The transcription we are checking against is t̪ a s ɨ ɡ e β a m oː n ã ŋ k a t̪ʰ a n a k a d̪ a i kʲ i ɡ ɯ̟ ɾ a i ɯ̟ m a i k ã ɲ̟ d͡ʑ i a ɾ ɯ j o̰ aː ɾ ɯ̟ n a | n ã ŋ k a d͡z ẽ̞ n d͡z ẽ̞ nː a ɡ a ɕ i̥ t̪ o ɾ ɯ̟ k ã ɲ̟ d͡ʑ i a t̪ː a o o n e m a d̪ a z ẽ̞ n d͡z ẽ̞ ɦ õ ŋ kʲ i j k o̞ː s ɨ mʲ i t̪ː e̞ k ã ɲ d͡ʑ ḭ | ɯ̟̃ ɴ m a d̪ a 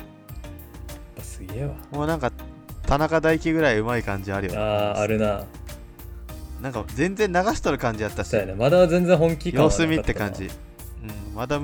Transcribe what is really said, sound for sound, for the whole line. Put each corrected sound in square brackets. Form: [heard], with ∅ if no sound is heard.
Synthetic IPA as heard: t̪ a s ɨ ɡ e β a m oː n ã ŋ k a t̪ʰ a n a k a d̪ a i kʲ i ɡ ɯ̟ ɾ a i ɯ̟ m a i k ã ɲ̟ d͡ʑ i a ɾ ɯ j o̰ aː ɾ ɯ̟ n a | n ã ŋ k a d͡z ẽ̞ n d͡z ẽ̞ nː a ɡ a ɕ i̥ t̪ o ɾ ɯ̟ k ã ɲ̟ d͡ʑ i a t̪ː a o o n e m a d̪ a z ẽ̞ n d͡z ẽ̞ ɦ õ ŋ kʲ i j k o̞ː s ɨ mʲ i t̪ː e̞ k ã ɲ d͡ʑ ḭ | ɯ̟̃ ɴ m a d̪ a